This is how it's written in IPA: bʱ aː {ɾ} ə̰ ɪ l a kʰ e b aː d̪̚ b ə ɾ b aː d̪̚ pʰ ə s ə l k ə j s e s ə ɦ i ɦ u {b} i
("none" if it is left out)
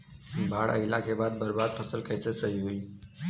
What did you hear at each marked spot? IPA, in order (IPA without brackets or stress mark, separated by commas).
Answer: ɽ, none